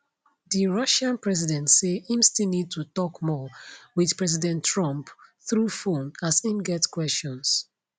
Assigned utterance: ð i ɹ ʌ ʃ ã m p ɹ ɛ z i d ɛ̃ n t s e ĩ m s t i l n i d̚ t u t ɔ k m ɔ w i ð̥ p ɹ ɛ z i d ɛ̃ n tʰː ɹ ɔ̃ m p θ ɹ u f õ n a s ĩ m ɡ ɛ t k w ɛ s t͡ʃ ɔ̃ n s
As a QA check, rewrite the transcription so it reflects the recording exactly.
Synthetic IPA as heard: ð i ɹ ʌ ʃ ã n p ɹ ɛ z i d ɛ̃ n t s e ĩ m s t i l n i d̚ t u t ɔ k m ɔ w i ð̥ p ɹ ɛ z i d ɛ̃ n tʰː ɹ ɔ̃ m p θ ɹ u f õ n a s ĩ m ɡ ɛ t k w ɛ s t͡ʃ ɔ̃ n s